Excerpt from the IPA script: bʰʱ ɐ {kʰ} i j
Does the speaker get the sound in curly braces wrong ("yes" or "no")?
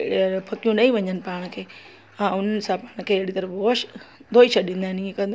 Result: yes